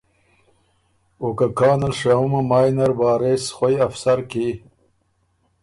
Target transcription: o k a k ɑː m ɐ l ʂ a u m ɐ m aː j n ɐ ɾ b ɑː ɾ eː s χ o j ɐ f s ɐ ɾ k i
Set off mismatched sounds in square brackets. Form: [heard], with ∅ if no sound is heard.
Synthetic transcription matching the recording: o k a k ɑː [n] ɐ l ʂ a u m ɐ m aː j n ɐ ɾ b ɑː ɾ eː s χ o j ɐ f s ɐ ɾ k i